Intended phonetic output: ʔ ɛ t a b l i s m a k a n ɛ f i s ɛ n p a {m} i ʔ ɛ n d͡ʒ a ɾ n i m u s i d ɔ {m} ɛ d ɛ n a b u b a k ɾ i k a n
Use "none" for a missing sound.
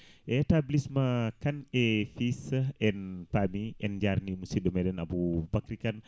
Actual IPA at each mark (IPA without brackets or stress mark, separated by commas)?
m, m